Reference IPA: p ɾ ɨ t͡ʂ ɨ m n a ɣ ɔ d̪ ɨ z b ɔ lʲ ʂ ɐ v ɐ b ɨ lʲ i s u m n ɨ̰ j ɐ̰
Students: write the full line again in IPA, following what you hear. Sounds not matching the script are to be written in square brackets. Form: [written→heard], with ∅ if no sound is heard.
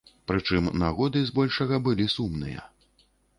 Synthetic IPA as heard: p ɾ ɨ t͡ʂ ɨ m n a ɣ ɔ d̪ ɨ z b ɔ lʲ ʂ ɐ [v→ɣ] ɐ b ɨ lʲ i s u m n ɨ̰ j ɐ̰